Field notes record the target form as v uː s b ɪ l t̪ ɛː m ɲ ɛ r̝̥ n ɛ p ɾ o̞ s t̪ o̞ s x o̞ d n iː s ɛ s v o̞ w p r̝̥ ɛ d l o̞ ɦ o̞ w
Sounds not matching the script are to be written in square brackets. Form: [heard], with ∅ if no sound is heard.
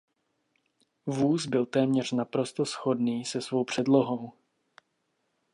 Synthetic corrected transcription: v uː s b ɪ l t̪ ɛː m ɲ ɛ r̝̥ n [a] p ɾ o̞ s t̪ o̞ s x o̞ d n iː s ɛ s v o̞ w p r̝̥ ɛ d l o̞ ɦ o̞ w